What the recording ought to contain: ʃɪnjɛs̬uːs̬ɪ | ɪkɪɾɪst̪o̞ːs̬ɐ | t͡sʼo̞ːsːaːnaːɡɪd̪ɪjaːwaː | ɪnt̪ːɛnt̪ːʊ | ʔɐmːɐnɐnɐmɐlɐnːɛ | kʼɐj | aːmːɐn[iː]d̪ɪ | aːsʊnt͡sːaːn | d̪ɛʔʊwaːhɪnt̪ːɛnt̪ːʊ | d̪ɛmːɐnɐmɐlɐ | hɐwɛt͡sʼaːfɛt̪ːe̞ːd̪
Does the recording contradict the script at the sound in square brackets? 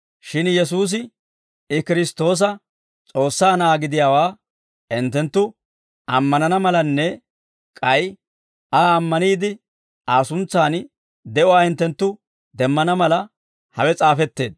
no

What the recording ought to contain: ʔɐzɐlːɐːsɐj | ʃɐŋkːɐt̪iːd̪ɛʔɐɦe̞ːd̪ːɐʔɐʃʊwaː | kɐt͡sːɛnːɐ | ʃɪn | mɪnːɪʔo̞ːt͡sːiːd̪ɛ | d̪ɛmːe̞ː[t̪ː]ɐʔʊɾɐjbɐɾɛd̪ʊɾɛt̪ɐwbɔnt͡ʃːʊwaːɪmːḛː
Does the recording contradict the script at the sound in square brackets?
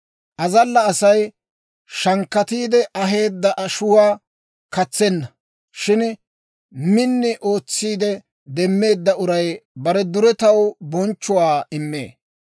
yes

